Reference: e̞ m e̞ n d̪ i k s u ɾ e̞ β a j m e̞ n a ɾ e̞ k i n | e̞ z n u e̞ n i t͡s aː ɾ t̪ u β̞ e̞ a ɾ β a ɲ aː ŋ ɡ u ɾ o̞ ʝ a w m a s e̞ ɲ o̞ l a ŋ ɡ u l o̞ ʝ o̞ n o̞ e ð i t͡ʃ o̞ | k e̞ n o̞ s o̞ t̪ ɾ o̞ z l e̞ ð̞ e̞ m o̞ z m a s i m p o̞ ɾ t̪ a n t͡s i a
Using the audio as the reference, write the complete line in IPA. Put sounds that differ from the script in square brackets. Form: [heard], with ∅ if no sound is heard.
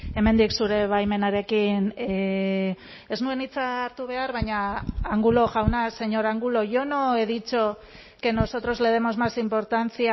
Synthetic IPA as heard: e̞ m e̞ n d̪ i k s u ɾ e̞ β a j m e̞ n a ɾ e̞ k i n | e̞ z n u e̞ n i t͡s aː ɾ t̪ u β̞ e̞ a ɾ β a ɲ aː ŋ ɡ u [l] o̞ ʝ a w [n] a s e̞ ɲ o̞ [ɾ] a ŋ ɡ u l o̞ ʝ o̞ n o̞ e ð i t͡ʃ o̞ | k e̞ n o̞ s o̞ t̪ ɾ o̞ z l e̞ ð̞ e̞ m o̞ z m a s i m p o̞ ɾ t̪ a n t͡s i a